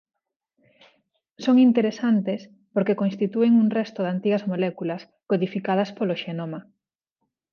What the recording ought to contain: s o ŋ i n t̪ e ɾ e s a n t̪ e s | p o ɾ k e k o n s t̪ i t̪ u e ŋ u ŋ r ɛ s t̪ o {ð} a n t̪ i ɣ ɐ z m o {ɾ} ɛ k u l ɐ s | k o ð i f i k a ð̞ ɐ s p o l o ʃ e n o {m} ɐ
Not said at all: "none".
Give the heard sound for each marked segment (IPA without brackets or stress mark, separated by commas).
ð, l, m